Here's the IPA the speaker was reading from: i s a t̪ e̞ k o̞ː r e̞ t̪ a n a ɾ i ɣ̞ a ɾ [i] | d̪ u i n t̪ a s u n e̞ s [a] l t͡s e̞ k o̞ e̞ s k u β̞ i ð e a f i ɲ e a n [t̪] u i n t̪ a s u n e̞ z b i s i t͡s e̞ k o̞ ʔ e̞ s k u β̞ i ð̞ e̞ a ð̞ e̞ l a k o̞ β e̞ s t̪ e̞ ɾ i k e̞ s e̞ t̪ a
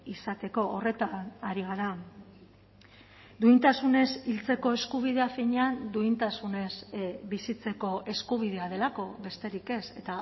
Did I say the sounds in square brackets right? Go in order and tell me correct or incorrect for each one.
incorrect: a, incorrect: i, incorrect: d̪

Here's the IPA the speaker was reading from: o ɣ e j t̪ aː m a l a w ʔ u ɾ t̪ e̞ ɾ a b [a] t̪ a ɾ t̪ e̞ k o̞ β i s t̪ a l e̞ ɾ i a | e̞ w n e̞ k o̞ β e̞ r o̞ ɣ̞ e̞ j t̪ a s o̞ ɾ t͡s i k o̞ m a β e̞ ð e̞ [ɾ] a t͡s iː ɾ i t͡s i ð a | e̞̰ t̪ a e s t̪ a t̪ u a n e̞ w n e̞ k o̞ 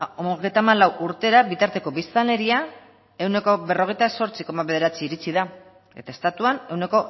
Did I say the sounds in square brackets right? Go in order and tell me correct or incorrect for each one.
incorrect: i, correct

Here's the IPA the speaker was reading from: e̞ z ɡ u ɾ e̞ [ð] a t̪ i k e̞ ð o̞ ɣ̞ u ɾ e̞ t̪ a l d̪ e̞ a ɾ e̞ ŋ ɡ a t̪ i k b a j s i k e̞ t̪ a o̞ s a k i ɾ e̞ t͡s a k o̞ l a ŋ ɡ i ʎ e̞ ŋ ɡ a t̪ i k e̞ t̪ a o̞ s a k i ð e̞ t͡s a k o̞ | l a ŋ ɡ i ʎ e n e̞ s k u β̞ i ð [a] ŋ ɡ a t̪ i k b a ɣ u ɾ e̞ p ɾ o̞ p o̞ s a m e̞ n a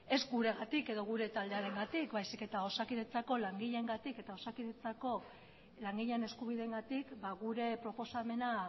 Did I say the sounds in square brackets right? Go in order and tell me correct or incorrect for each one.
incorrect: ɣ, incorrect: e

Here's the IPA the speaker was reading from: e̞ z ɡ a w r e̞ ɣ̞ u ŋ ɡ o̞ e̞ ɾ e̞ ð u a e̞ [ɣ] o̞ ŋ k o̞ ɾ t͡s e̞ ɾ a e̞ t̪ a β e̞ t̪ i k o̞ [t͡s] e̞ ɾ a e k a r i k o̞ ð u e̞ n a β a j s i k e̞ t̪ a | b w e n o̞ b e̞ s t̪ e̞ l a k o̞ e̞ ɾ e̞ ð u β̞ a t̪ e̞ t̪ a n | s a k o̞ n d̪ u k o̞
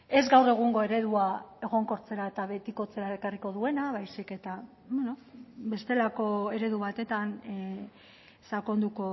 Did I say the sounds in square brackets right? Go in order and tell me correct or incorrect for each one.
correct, correct

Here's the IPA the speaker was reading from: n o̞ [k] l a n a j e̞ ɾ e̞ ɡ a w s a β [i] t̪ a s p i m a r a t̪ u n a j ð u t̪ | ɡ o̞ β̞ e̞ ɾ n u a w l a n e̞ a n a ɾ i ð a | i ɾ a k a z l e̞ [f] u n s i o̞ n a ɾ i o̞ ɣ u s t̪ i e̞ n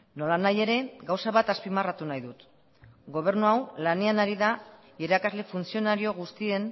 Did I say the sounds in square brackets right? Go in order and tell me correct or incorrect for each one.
incorrect: none, incorrect: a, correct

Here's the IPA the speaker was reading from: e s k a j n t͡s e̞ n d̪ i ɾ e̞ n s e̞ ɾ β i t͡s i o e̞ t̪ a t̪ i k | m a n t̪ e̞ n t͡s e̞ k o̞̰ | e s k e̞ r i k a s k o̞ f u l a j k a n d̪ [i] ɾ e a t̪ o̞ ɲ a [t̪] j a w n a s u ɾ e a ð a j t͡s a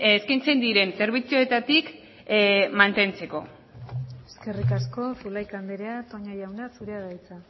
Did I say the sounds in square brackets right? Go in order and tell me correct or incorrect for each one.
incorrect: e, incorrect: none

